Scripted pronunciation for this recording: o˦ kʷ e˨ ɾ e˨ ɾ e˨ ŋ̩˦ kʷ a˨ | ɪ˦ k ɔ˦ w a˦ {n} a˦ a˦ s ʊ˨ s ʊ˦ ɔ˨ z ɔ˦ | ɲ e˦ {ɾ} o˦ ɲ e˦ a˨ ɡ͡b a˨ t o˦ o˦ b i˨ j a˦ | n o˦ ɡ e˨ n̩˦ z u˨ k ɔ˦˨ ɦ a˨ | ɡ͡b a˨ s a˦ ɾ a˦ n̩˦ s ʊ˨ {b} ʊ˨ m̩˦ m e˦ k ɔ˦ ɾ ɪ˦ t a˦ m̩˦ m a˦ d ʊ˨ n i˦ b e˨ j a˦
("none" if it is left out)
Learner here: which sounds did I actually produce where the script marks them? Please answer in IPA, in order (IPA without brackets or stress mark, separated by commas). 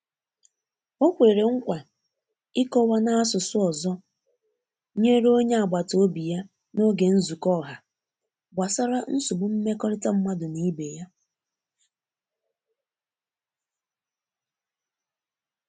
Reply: n, ɾ, b